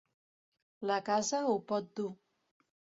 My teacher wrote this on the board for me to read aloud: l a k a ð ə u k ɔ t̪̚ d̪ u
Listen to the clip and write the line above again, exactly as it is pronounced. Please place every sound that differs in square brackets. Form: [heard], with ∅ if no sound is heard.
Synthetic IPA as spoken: l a k a [z] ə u [p] ɔ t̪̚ d̪ u